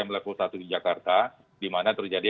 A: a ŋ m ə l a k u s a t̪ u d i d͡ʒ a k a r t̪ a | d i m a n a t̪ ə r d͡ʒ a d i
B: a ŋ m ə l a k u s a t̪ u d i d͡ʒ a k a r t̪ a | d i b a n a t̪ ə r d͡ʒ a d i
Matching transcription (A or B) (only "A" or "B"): A